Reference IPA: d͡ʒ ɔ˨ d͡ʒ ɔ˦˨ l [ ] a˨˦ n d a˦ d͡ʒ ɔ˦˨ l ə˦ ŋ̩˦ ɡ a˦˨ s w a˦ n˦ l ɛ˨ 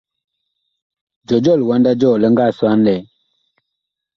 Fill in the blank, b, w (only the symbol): w